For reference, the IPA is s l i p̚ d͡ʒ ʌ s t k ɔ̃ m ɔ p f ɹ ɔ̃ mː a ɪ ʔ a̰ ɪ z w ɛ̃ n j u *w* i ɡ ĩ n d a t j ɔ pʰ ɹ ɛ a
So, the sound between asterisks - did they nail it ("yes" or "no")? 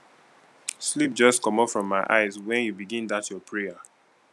no